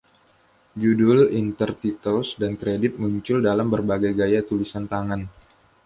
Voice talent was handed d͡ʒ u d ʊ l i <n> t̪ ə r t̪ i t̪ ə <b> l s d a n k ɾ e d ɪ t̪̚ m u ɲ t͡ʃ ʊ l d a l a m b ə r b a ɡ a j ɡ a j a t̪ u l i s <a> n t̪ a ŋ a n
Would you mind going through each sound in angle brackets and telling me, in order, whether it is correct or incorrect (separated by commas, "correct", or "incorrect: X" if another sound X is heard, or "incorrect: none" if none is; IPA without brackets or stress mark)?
correct, incorrect: none, correct